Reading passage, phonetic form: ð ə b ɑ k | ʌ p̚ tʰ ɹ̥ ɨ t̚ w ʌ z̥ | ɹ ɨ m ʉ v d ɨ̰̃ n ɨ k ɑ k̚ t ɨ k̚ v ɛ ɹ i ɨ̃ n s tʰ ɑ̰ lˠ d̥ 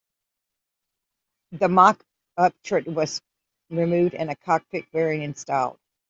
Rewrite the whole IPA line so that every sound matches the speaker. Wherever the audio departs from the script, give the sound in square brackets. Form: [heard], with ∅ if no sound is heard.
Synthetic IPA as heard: ð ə [m] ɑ k | ʌ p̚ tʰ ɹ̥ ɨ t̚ w ʌ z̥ | ɹ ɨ m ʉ v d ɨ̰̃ n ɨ [kʰ] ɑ k̚ t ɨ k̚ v ɛ ɹ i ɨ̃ n s [t] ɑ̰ lˠ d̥